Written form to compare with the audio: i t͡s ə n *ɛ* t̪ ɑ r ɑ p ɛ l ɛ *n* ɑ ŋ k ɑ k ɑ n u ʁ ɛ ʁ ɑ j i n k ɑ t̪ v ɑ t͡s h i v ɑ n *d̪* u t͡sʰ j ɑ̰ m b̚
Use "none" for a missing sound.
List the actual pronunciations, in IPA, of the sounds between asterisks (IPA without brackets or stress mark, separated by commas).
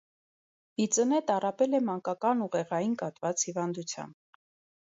ɛ, m, d̪